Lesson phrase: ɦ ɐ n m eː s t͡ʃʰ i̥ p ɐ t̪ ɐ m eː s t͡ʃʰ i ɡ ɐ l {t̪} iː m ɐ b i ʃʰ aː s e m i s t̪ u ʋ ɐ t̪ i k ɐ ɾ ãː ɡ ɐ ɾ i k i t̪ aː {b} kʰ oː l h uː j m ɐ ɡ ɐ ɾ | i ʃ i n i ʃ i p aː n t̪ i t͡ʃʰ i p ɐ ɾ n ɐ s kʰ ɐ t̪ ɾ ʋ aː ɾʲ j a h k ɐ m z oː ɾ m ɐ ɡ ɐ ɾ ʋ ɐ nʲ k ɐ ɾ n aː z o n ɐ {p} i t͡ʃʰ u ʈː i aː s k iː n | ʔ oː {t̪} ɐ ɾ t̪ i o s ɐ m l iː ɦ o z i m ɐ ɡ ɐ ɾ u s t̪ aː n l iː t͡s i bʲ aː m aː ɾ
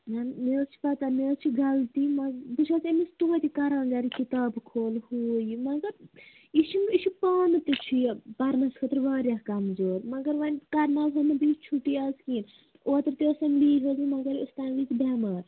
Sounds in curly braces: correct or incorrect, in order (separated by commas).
correct, correct, incorrect, correct